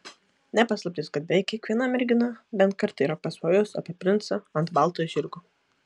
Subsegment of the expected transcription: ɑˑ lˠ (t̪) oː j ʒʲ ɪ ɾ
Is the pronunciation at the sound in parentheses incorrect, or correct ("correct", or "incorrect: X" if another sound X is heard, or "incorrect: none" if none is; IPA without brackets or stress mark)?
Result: correct